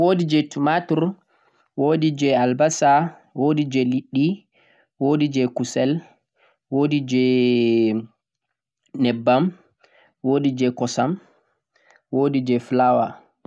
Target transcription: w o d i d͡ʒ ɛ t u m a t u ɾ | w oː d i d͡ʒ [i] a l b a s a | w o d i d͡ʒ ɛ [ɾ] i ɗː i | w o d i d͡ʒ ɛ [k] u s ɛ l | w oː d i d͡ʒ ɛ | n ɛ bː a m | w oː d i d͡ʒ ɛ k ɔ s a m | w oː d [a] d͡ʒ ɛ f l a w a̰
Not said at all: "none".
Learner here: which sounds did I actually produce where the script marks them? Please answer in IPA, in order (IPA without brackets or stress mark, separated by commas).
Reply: ɛ, l, k, i